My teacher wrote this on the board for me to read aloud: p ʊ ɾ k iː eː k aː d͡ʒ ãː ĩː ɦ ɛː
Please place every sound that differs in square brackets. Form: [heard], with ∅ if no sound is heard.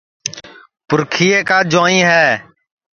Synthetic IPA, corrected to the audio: p ʊ ɾ [kʰ] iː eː k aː d͡ʒ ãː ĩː ɦ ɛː